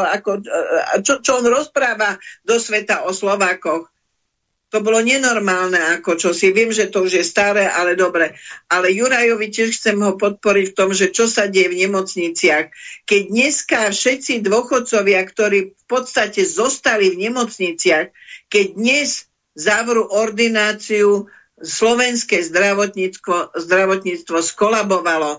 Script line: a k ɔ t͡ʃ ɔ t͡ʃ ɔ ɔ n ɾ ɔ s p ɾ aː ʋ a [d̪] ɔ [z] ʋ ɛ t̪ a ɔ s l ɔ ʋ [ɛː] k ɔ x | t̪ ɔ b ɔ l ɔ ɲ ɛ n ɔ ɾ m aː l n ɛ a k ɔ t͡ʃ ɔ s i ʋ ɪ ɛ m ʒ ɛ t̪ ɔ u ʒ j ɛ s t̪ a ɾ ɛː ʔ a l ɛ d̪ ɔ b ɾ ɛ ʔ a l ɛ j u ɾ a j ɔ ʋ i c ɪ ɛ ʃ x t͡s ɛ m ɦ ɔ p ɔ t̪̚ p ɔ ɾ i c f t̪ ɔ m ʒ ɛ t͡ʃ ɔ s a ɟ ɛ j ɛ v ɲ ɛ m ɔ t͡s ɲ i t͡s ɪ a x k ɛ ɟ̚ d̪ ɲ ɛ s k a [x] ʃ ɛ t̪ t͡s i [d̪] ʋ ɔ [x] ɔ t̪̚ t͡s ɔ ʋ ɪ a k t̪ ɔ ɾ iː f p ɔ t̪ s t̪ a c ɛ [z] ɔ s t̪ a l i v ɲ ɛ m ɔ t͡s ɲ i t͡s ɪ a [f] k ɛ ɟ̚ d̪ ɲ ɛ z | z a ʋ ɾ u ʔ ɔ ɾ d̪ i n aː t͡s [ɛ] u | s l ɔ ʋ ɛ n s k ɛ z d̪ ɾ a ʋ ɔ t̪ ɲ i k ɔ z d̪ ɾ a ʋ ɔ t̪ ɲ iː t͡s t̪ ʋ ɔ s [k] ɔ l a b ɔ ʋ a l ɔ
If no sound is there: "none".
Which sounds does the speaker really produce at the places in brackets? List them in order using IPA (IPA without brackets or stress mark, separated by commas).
d̪, s, aː, f, d̪, x, z, x, i, k